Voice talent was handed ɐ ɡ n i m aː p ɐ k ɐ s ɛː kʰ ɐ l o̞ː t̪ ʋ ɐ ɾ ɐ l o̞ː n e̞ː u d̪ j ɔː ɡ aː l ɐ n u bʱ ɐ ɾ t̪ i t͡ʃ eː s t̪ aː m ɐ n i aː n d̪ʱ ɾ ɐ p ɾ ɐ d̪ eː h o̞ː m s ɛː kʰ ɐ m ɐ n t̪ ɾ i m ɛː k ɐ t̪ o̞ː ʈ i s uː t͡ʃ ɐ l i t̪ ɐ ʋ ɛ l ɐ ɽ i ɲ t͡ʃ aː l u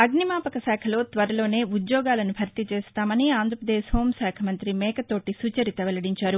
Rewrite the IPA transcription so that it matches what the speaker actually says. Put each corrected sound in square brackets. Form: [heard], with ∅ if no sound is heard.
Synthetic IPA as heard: ɐ ɡ n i m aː p ɐ k ɐ s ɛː kʰ ɐ l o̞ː t̪ ʋ ɐ ɾ ɐ l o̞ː n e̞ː u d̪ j ɔː ɡ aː l ɐ n u bʱ ɐ ɾ t̪ i t͡ʃ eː s t̪ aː m ɐ n i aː n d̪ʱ ɾ ɐ p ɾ ɐ d̪ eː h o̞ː m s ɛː kʰ ɐ m ɐ n t̪ ɾ i m ɛː k ɐ t̪ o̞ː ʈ i s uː t͡ʃ ɐ [ɾ] i t̪ ɐ ʋ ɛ l ɐ ɽ i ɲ t͡ʃ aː [ɾ] u